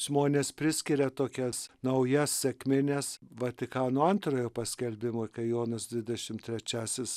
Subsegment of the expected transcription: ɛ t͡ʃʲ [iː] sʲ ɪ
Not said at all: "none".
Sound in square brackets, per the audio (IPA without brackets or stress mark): æː